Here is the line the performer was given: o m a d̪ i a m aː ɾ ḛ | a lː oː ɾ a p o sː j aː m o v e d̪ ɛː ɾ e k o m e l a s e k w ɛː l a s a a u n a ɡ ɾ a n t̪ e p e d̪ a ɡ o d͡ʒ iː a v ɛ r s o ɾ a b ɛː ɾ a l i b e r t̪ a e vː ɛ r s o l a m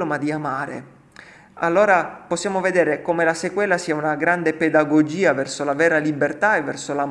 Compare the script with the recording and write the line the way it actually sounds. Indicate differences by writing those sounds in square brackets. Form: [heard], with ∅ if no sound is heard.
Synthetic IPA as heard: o m a d̪ i a m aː ɾ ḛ | a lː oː ɾ a p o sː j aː m o v e d̪ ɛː ɾ e k o m e l a s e k w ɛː l a s [i] a u n a ɡ ɾ a n [d̪] e p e d̪ a ɡ o d͡ʒ iː a v ɛ r s o [l] a [v] ɛː ɾ a l i b e r t̪ a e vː ɛ r s o l a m